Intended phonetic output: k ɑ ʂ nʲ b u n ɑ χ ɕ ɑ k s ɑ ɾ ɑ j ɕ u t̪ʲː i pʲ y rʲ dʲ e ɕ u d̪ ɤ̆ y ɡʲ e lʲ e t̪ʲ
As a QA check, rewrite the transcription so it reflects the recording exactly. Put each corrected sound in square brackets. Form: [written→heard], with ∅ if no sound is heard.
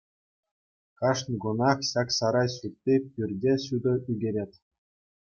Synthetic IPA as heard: k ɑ ʂ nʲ [b→ɡ] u n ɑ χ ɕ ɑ k s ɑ ɾ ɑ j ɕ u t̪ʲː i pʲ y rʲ dʲ e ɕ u d̪ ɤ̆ y ɡʲ e [lʲ→ɾʲ] e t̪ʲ